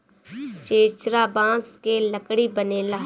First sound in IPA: t͡ʃ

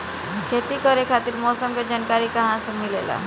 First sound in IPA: kʰ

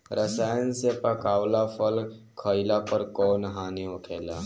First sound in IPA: ɾ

